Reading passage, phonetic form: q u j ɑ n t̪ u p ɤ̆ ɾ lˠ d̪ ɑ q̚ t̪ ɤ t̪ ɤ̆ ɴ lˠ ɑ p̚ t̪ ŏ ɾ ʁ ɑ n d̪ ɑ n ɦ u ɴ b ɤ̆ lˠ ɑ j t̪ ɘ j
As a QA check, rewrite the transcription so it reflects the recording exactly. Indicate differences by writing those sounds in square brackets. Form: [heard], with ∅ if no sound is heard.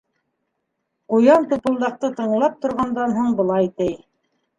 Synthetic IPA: q u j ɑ n t̪ u p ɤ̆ [∅] lˠ d̪ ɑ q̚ t̪ ɤ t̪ ɤ̆ ɴ lˠ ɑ p̚ t̪ ŏ ɾ ʁ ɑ n d̪ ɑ n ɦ u ɴ b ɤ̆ lˠ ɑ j t̪ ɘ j